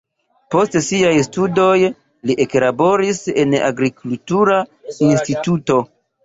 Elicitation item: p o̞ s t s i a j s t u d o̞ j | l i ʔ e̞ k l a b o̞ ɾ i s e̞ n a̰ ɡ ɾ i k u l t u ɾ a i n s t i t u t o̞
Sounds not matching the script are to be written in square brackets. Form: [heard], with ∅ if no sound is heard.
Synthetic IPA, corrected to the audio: p o̞ s t s i a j s t u d o̞ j | l i ʔ e̞ k l a b o̞ ɾ i s e̞ n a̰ ɡ ɾ i k u l t u ɾ a i n s t i t u t o̞